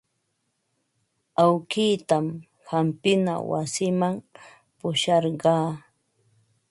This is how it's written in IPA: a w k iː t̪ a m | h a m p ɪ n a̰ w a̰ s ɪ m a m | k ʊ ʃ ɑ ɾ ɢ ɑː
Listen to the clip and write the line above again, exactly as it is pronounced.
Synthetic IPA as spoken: a w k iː t̪ a m | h a m p ɪ n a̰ w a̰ s ɪ m a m | p ʊ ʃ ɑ ɾ ɢ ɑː